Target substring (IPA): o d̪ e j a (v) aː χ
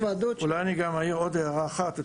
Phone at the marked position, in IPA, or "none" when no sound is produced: ʁ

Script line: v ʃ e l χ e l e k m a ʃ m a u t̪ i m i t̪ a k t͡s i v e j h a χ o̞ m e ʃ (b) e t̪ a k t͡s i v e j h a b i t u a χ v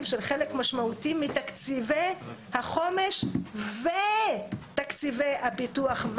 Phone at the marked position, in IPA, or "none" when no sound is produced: v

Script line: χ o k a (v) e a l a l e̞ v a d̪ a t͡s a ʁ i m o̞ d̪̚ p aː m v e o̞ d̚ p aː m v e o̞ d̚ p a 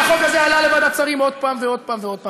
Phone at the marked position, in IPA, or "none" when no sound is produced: z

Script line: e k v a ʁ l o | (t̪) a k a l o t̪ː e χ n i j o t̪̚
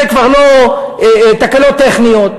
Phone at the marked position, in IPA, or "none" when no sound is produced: t̪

